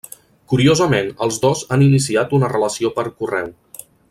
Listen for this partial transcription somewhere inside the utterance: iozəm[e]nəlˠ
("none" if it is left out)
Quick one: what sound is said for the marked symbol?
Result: e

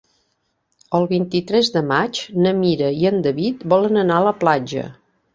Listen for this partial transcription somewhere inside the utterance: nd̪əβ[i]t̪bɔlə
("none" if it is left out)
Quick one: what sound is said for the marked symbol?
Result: i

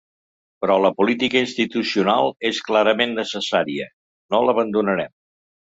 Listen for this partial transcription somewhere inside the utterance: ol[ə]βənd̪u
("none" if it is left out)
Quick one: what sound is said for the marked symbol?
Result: ə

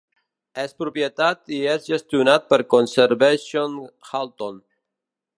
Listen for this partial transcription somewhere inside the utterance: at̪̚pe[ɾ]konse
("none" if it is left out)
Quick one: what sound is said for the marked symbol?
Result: ɾ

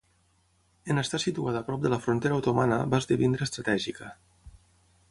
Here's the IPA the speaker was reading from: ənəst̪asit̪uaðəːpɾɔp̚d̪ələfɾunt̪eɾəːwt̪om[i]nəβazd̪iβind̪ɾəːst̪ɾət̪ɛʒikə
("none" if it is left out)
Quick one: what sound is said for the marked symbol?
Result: a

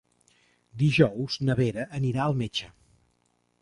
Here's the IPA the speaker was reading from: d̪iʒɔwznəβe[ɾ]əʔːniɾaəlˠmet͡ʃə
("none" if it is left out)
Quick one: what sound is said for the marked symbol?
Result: ɾ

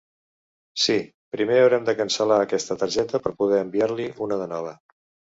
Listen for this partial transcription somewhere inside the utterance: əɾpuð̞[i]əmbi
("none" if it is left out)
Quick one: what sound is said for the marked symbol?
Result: ɛ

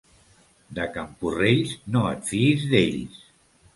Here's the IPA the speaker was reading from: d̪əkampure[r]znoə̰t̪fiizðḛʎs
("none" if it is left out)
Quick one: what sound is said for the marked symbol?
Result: ʎ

